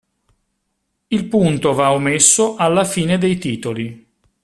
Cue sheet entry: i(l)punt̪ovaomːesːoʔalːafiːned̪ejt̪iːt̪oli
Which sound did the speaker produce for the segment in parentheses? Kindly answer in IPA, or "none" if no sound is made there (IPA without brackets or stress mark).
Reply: l